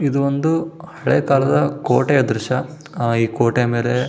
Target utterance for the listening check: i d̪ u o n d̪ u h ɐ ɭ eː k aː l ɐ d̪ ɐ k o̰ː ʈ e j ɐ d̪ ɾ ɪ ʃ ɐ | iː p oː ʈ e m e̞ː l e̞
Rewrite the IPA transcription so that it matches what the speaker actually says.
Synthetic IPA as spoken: i d̪ u o n d̪ u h ɐ ɭ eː k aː l ɐ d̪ ɐ k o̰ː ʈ e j ɐ d̪ ɾ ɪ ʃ ɐ | iː k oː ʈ e m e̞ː l e̞